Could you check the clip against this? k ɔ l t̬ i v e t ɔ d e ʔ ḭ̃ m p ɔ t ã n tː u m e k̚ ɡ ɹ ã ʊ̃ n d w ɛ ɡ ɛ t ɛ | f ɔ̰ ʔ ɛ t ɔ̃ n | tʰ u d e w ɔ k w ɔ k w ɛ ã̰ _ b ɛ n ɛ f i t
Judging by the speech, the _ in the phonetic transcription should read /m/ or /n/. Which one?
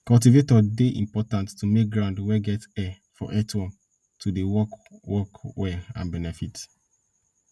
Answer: n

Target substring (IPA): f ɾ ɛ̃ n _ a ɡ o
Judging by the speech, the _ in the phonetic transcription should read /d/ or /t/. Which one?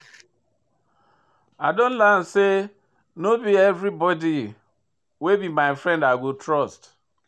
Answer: d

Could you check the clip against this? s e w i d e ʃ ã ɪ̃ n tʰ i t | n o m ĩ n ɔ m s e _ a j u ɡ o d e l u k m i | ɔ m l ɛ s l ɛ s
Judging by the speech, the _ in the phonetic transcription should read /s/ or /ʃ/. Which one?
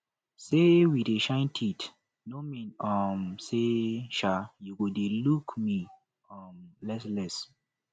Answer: ʃ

